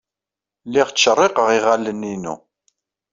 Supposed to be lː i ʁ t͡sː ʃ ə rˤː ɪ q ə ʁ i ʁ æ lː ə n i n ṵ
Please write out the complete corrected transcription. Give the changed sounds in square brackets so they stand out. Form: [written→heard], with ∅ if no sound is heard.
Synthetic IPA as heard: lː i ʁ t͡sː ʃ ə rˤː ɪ q ə ʁ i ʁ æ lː ə n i n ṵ